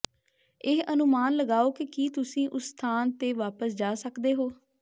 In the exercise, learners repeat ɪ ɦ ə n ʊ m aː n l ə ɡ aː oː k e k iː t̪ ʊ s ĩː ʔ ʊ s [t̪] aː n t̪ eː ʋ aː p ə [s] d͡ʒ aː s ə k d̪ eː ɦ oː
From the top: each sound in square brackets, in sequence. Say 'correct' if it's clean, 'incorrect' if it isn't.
incorrect: t̪ʰ, correct

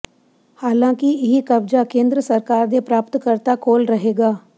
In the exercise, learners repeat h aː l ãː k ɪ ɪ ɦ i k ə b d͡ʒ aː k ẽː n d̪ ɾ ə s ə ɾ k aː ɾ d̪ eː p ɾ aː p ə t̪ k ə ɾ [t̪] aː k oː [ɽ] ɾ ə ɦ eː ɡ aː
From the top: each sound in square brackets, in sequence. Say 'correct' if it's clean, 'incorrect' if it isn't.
correct, incorrect: l

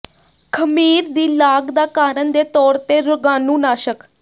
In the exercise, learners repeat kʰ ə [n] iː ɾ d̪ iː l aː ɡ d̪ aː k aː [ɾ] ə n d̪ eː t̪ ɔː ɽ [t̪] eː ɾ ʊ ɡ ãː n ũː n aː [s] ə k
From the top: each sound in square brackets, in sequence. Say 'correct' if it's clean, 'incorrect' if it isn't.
incorrect: m, correct, correct, incorrect: ʃ

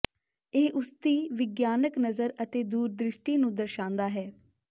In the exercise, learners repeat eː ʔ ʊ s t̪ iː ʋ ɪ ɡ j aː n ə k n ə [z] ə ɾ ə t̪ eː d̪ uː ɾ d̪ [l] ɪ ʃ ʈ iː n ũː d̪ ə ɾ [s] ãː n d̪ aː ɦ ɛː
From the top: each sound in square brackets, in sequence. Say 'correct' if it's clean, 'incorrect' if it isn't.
correct, incorrect: ɾ, incorrect: ʃ

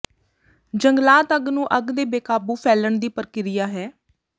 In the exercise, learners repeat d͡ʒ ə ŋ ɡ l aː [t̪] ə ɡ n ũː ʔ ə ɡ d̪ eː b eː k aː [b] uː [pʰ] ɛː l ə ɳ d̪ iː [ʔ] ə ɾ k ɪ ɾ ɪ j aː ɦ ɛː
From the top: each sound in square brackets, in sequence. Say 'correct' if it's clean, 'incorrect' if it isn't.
correct, correct, correct, incorrect: p

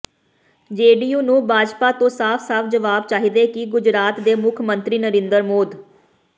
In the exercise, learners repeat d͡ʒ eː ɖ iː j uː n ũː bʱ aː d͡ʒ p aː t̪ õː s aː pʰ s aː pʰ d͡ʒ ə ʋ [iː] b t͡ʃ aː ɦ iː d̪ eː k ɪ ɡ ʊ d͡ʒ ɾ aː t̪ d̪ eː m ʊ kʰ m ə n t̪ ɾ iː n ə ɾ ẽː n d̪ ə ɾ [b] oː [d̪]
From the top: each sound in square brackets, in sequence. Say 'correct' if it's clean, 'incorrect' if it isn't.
incorrect: aː, incorrect: m, correct

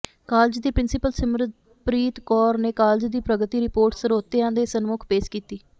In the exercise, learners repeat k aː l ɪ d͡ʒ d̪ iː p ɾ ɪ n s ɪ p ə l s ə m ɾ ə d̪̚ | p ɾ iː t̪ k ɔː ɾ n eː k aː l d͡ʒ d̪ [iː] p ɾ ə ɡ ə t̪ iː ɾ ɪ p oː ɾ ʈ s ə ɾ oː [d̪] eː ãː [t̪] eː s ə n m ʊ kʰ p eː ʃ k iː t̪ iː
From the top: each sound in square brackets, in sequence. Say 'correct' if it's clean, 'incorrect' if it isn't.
correct, incorrect: t̪, incorrect: d̪

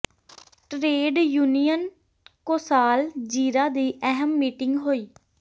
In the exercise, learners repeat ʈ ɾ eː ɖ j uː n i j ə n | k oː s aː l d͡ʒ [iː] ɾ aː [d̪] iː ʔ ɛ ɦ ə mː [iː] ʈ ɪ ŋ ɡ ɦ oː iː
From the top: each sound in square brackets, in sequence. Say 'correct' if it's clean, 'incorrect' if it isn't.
correct, correct, correct

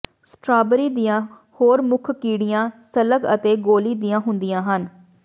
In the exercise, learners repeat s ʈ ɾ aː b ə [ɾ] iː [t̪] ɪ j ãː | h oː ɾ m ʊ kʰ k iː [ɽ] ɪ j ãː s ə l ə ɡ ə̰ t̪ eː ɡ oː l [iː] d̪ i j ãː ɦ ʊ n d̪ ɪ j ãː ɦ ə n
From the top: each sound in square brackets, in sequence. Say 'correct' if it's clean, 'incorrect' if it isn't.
correct, incorrect: d̪, correct, correct

